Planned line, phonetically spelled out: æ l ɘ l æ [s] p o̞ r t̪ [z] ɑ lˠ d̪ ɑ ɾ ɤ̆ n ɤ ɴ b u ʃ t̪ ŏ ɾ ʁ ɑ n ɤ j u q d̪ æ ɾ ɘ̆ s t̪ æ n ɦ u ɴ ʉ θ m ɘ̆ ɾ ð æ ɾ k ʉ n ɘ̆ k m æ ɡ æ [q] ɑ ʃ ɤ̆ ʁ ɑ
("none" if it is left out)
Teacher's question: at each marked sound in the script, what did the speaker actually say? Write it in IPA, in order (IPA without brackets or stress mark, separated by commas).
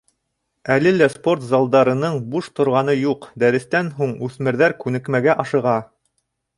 s, z, ʔ